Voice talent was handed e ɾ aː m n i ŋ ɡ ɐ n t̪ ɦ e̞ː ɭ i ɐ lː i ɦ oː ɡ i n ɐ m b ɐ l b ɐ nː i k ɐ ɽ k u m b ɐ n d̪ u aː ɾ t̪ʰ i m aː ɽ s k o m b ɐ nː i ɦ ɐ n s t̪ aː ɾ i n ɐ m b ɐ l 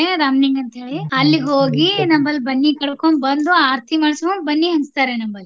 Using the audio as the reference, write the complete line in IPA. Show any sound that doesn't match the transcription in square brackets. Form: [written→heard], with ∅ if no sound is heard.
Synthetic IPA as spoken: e ɾ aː m n i ŋ ɡ ɐ n t̪ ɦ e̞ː ɭ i ɐ lː i ɦ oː ɡ i n ɐ m b ɐ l b ɐ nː i k ɐ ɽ k [u→o] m b ɐ n d̪ u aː ɾ t̪ʰ i m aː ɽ s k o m b ɐ nː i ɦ ɐ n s t̪ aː ɾ [i→e] n ɐ m b ɐ l